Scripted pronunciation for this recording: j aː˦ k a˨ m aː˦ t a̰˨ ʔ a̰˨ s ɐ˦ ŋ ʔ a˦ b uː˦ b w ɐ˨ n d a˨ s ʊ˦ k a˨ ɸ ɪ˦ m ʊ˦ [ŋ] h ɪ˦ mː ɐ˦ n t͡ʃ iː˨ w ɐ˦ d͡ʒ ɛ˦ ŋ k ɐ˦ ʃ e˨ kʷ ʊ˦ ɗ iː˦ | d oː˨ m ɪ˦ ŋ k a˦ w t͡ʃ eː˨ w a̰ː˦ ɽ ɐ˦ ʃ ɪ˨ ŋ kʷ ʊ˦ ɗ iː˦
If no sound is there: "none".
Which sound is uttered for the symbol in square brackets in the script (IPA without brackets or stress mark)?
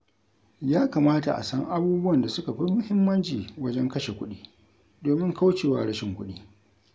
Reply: none